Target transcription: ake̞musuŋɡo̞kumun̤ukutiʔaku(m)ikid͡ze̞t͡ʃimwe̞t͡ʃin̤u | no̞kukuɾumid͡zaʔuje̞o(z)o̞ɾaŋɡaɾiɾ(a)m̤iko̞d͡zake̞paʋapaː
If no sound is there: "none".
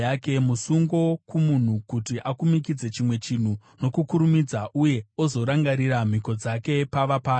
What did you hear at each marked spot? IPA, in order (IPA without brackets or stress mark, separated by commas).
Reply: m, z, a